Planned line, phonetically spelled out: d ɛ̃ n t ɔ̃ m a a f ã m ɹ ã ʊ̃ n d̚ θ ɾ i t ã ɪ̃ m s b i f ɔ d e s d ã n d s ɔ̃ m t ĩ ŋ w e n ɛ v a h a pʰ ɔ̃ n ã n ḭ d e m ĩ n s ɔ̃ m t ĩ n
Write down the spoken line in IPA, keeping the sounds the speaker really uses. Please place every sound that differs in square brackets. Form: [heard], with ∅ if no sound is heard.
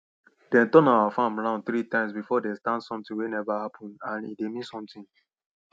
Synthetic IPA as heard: d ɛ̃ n t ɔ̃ [n] a a f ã m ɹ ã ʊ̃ n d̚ θ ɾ i t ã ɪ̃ m s b i f ɔ d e s [t] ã n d s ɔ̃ m t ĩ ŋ w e n ɛ v a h a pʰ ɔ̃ n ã n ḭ d e m ĩ n s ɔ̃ m t ĩ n